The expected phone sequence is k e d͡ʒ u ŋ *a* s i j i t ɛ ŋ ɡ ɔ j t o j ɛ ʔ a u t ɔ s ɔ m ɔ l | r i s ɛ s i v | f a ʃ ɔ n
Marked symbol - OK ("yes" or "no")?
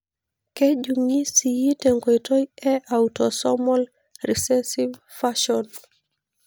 no